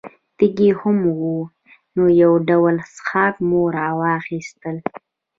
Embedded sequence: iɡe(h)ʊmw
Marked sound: correct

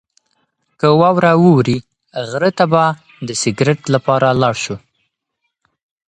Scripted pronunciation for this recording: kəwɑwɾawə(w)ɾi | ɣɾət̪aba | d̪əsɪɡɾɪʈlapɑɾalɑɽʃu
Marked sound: correct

